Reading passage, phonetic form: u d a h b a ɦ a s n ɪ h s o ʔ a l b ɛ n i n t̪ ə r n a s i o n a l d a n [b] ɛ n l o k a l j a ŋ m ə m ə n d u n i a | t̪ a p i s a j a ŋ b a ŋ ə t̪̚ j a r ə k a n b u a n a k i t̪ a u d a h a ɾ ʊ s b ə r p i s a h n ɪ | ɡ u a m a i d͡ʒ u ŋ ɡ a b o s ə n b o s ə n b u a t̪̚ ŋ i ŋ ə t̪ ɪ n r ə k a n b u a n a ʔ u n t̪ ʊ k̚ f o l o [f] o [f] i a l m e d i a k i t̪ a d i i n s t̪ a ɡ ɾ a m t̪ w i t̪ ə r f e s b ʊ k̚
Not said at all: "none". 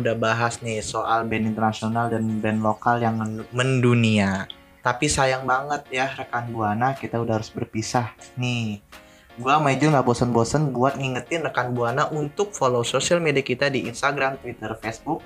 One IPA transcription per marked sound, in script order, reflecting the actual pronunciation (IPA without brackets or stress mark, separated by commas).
b, s, s